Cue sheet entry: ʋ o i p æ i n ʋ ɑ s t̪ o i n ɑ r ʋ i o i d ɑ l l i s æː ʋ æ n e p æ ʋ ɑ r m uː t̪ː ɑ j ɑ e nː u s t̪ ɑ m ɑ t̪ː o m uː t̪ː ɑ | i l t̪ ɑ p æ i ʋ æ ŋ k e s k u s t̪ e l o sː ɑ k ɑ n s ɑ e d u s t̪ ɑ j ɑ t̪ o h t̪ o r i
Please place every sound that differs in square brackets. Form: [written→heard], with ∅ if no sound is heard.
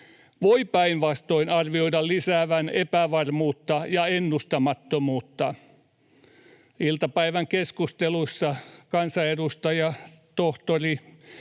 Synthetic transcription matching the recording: ʋ o i p æ i n ʋ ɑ s t̪ o i n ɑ r ʋ i o i d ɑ l l i s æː ʋ æ n e p æ ʋ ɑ r m uː t̪ː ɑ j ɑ e nː u s t̪ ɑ m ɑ t̪ː o m uː t̪ː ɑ | i l t̪ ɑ p æ i ʋ æ ŋ k e s k u s t̪ e l [o→u] sː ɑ k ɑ n s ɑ e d u s t̪ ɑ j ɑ t̪ o h t̪ o r i